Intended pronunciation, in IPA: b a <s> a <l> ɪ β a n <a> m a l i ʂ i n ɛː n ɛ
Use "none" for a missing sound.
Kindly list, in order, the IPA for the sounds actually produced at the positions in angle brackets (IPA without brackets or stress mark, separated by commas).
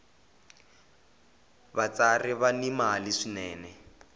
t͡s, r, i